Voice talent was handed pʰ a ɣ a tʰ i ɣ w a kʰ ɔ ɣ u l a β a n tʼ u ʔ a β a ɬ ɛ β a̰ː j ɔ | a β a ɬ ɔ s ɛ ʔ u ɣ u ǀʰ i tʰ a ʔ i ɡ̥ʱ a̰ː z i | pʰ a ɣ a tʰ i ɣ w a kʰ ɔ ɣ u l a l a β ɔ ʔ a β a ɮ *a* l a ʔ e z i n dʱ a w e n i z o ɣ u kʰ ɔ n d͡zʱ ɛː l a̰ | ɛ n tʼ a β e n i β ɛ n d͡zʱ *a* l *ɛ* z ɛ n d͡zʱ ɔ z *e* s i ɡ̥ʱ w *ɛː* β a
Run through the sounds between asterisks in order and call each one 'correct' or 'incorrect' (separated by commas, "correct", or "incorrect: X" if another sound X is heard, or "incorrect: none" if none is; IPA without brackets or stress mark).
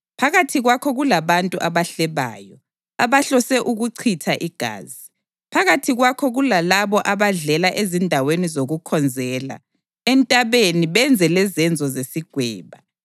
incorrect: ɛ, incorrect: ɛ, correct, correct, correct